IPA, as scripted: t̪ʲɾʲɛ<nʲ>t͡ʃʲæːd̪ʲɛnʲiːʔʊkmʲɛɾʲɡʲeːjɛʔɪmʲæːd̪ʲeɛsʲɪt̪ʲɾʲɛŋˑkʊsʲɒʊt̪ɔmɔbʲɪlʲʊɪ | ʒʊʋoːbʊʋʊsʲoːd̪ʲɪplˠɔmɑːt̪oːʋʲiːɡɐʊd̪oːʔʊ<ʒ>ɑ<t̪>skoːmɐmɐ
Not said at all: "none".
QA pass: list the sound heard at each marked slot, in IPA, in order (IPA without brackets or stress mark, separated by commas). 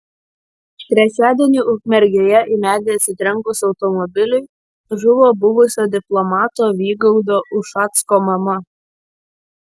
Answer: none, ʃ, t̪